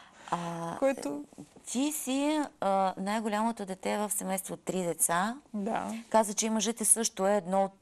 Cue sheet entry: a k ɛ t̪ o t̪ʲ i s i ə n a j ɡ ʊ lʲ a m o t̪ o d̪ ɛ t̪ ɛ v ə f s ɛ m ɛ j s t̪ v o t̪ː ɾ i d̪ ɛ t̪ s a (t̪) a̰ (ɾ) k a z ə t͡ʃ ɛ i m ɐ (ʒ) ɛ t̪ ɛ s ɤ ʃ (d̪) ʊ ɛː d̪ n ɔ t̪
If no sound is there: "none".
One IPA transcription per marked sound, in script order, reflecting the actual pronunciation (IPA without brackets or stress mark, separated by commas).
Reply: d̪, none, ʒ, t̪